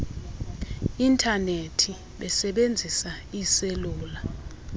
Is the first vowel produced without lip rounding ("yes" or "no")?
yes